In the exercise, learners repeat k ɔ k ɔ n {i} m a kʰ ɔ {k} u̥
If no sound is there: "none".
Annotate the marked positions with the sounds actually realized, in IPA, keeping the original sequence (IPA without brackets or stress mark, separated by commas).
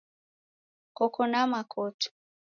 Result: a, t